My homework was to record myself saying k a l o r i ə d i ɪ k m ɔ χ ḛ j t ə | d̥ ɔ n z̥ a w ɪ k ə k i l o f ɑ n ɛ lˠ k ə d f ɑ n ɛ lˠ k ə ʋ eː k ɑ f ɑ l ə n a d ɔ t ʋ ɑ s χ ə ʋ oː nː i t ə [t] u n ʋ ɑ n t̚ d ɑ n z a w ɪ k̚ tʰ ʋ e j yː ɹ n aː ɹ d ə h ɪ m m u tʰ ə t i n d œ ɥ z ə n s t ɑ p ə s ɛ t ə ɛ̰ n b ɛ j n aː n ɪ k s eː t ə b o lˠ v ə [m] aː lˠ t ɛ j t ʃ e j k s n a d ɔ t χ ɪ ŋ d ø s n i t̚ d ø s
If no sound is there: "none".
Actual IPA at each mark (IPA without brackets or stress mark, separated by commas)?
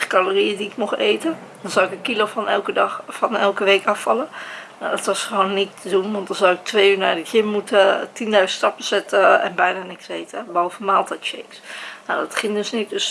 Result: d, m